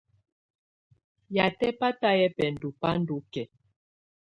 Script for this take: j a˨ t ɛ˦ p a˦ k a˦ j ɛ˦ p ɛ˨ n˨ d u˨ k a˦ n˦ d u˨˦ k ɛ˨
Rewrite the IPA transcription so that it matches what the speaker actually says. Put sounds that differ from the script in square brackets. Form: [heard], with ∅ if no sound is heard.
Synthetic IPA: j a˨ t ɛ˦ p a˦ [t] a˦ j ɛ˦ p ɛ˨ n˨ d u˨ [p] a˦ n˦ d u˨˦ k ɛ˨

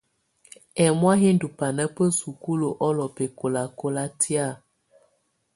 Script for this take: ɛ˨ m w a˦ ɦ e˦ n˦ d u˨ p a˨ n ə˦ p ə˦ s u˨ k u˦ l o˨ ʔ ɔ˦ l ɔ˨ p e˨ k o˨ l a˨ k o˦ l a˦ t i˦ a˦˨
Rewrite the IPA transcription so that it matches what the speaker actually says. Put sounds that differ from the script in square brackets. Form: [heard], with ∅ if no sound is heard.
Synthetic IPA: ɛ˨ m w a˦ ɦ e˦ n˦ d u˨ p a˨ n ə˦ p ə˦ s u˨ k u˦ l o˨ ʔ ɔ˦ l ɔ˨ p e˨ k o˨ l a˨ k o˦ l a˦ t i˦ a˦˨

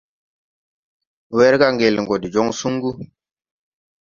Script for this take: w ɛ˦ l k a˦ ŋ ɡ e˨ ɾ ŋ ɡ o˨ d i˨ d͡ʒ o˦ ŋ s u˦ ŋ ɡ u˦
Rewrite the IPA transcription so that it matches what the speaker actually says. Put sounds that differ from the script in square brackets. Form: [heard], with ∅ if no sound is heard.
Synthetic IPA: w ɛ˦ [ɾ] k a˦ ŋ ɡ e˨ [l] ŋ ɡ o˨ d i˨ d͡ʒ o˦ ŋ s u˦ ŋ ɡ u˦

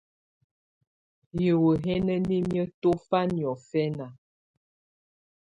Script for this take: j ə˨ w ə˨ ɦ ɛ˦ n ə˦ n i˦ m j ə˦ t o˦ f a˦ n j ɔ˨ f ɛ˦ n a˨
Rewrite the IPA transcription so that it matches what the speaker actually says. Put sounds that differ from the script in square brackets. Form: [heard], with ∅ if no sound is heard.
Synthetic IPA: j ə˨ w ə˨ ɦ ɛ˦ n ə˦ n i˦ m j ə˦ t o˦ f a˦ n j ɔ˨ f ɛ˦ n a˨

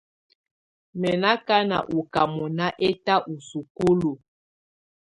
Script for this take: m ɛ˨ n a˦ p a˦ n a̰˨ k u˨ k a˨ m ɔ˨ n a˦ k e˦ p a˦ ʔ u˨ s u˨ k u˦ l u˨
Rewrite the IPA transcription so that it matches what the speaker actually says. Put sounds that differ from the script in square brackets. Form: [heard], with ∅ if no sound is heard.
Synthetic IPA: m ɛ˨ n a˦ [k] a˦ n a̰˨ [ʔ] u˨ k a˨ m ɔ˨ n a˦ [ʔ] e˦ [t] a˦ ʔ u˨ s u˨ k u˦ l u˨

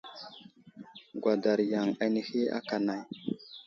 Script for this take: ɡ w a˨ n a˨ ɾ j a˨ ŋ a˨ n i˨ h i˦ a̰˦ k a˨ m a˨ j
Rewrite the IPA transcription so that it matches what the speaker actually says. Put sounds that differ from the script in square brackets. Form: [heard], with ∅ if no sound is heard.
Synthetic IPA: ɡ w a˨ [d] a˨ ɾ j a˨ ŋ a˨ n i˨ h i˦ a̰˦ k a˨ [n] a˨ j

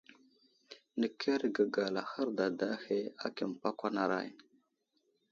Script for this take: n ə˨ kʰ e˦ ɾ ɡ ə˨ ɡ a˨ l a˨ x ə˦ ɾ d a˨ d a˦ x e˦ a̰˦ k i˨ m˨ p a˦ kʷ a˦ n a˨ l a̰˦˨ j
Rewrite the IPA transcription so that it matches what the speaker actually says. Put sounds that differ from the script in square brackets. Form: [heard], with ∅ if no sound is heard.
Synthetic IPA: n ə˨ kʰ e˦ ɾ ɡ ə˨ ɡ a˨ l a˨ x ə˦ ɾ d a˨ d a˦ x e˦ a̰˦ k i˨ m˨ p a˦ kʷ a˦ n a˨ [ɾ] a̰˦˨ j

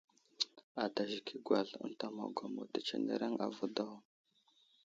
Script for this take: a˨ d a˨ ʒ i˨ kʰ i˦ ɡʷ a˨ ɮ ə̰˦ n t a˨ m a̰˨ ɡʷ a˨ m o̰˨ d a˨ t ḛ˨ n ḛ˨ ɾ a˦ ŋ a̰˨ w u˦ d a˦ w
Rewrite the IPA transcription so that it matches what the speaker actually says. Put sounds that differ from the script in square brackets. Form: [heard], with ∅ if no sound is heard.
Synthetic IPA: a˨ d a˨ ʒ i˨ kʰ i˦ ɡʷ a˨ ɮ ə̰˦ n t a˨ m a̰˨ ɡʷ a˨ m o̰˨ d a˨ [t͡ʃ] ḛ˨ n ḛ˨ ɾ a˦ ŋ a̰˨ [v] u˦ d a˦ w

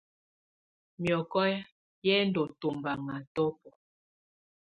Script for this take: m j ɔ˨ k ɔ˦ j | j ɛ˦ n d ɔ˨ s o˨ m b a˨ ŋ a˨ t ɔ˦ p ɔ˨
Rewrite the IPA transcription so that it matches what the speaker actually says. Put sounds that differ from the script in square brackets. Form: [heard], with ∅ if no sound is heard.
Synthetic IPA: m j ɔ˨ k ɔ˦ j | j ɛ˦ n d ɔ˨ [t] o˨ m b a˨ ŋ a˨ t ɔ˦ p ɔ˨

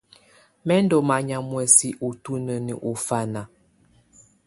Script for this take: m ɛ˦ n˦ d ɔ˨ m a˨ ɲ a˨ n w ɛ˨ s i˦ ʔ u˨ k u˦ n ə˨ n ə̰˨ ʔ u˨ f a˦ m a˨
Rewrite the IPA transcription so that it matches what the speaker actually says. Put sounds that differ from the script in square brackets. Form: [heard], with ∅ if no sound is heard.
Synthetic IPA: m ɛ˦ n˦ d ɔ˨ m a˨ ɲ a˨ [m] w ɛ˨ s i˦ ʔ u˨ [t] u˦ n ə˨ n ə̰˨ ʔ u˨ f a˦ [n] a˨

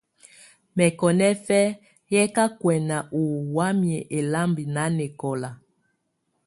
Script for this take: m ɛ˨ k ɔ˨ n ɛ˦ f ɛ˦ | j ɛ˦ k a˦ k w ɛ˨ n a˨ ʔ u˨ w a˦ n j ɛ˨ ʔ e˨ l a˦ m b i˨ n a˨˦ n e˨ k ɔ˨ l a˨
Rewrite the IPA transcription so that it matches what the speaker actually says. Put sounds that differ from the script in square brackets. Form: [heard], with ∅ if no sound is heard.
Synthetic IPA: m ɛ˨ k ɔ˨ n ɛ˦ f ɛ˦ | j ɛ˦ k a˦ k w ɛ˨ n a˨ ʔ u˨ w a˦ [m] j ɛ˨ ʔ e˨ l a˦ m b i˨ n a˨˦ n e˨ k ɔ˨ l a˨

